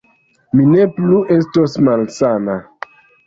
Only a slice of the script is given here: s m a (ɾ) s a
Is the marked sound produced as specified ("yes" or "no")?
no